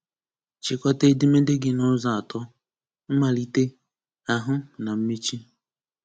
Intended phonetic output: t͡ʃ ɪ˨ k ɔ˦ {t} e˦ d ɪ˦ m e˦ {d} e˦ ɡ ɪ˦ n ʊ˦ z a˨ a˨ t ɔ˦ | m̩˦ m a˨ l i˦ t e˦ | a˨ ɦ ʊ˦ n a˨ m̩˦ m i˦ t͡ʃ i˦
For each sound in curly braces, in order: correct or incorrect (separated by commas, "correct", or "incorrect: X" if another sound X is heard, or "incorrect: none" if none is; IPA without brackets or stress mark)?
correct, correct